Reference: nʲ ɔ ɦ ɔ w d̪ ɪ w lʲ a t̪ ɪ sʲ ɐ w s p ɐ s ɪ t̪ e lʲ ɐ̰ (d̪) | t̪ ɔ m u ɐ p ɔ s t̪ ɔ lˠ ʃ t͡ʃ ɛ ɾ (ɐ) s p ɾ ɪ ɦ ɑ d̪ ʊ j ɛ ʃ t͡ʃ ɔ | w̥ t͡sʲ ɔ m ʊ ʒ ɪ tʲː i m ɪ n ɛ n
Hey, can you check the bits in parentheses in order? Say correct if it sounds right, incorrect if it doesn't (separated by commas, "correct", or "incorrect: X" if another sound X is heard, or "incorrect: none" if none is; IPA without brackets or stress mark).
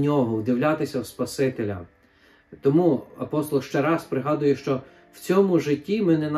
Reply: incorrect: none, incorrect: ɑ